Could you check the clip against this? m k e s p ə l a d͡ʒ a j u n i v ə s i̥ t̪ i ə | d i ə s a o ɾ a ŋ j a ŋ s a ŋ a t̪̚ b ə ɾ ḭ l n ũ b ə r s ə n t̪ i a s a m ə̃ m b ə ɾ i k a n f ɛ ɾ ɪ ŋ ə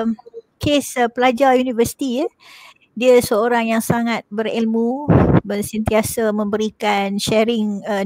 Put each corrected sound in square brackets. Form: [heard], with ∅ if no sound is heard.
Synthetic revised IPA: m k e s p ə l a d͡ʒ a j u n i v ə s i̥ t̪ i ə | d i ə s [ə] o ɾ a ŋ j a ŋ s a ŋ a t̪̚ b ə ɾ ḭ l [m] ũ b ə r s ə n t̪ i a s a m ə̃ m b ə ɾ i k a n [ʃ] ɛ ɾ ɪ ŋ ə

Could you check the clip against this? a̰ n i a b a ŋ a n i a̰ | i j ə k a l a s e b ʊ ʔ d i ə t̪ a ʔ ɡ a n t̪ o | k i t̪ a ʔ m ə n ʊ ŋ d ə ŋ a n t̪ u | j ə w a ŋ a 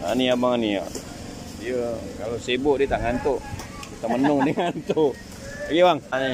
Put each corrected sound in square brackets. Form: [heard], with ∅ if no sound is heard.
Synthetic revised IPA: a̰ n i a b a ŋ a n i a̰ | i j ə k a l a s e b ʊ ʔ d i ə t̪ a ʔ [ŋ] a n t̪ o | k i t̪ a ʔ m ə n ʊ ŋ d ə ŋ a n t̪ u | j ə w a ŋ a

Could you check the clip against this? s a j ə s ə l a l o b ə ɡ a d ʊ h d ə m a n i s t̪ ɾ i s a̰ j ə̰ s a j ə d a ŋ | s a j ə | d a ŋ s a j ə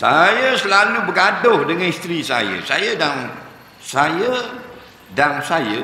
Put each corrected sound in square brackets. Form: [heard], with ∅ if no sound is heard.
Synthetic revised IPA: s a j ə s ə l a l [u] b ə ɡ a d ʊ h d ə [ŋ] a n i s t̪ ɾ i s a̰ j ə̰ s a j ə d a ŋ | s a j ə | d a ŋ s a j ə

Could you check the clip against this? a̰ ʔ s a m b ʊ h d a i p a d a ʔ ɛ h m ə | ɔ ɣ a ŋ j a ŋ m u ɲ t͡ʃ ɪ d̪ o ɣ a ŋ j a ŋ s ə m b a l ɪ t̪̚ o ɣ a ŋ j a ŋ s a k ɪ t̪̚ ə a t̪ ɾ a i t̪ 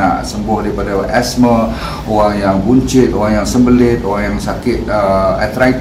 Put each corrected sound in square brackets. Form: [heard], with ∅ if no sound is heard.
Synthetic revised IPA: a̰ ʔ s [ə] m b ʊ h d a i p a d a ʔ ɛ [s] m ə | [o] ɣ a ŋ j a ŋ [b] u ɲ t͡ʃ ɪ [t̪] o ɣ a ŋ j a ŋ s ə m b [ə] l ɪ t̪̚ o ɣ a ŋ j a ŋ s a k ɪ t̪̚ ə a t̪ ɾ a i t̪

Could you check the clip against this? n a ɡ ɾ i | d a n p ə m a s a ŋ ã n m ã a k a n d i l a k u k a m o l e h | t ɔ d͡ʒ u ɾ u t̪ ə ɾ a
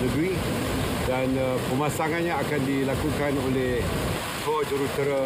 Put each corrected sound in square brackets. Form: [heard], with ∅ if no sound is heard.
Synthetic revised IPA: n [ə] ɡ ɾ i | d a n p ə m a s a ŋ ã n [ɲ] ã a k a n d i l a k u k a [n] o l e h | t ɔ d͡ʒ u ɾ u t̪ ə ɾ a

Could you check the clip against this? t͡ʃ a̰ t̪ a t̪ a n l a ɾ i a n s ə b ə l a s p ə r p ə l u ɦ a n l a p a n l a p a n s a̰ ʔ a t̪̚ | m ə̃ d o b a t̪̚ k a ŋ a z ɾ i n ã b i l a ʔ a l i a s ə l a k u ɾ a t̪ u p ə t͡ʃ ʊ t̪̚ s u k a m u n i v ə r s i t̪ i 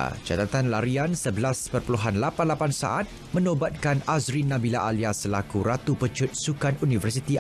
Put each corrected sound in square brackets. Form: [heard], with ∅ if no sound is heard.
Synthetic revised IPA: t͡ʃ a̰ t̪ a t̪ a n l a ɾ i a n s ə b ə l a s p ə r p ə l u ɦ a n l a p a n l a p a n s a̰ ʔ a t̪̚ | m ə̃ [n] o b a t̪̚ k a [n] a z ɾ i n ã b i l a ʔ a l i a s ə l a k u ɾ a t̪ u p ə t͡ʃ ʊ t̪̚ s u k a [n] u n i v ə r s i t̪ i

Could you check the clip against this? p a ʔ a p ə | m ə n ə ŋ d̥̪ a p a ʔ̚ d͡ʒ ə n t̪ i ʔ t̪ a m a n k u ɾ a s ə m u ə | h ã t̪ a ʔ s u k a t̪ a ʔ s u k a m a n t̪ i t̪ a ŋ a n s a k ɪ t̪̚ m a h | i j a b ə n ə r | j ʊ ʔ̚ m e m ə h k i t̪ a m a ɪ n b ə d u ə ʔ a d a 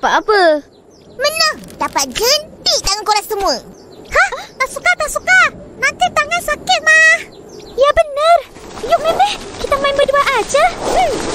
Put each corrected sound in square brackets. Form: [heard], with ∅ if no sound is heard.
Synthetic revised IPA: p a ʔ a p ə | m ə n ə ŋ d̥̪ a p a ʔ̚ d͡ʒ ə n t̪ i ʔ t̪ a [ŋ] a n k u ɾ a s ə m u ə | h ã t̪ a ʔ s u k a t̪ a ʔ s u k a [n] a n t̪ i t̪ a ŋ a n s a k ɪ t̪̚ m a h | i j a b ə n ə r | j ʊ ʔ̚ m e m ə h k i t̪ a m a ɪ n b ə d u [a] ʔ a [d͡ʒ] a

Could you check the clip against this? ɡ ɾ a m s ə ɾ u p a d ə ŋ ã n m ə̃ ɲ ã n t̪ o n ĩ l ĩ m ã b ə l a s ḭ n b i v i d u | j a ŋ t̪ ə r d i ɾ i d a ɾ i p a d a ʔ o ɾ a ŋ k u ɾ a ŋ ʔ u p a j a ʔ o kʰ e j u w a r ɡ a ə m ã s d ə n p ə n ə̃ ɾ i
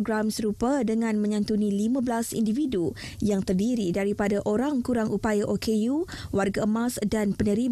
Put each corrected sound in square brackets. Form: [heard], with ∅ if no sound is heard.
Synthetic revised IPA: ɡ ɾ a m s ə ɾ u p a d ə ŋ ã n m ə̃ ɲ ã n t̪ [u] n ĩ l [i] m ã b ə l a s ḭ n [d] i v i d u | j a ŋ t̪ ə r d i ɾ i d a ɾ i p a d a ʔ o ɾ a ŋ k u ɾ a ŋ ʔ u p a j a ʔ o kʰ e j u w a r ɡ a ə m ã s d [a] n p ə n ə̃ ɾ i

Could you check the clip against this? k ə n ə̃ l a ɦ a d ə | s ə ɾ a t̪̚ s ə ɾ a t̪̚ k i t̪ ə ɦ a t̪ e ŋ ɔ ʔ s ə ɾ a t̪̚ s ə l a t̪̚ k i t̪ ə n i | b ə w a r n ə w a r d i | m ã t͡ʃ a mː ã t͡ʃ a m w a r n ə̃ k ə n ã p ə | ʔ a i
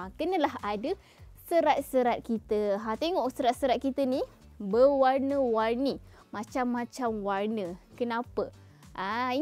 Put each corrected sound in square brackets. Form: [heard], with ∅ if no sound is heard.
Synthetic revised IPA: k ə n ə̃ l a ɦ a d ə | s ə ɾ a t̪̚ s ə ɾ a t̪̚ k i t̪ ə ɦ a t̪ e ŋ ɔ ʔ s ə ɾ a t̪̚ s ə [ɾ] a t̪̚ k i t̪ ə n i | b ə w a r n ə w a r [n] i | m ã t͡ʃ a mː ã t͡ʃ a m w a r n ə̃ k ə n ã p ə | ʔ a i

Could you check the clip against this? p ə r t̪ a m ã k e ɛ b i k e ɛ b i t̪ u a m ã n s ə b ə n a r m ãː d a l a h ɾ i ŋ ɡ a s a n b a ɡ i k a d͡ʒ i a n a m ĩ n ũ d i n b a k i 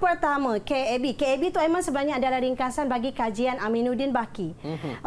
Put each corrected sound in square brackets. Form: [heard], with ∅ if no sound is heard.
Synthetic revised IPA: p ə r t̪ a m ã k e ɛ b i k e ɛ b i t̪ u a m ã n s ə b ə n a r [ɲ] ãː d a l a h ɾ i ŋ [k] a s a n b a ɡ i k a d͡ʒ i a n a m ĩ n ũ d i n b a k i

